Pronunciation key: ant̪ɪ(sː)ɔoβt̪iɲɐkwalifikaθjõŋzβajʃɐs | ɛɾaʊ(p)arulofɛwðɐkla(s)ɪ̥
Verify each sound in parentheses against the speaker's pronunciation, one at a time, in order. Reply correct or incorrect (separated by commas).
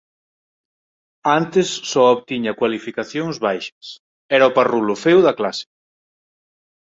correct, correct, correct